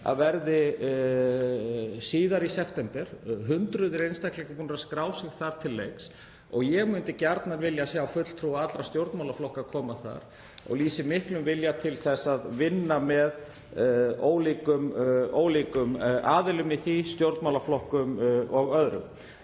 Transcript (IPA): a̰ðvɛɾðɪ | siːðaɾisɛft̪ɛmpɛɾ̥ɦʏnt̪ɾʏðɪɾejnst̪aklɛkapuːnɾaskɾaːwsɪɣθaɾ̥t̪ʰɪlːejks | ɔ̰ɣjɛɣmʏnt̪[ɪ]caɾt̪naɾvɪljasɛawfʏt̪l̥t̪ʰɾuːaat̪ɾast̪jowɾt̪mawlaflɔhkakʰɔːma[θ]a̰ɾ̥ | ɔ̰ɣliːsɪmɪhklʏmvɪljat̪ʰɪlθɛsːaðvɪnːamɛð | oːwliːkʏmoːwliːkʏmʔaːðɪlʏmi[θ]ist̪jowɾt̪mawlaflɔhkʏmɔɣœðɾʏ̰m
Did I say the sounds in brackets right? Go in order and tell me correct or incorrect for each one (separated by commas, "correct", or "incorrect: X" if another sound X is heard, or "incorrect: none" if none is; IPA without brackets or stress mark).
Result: correct, correct, correct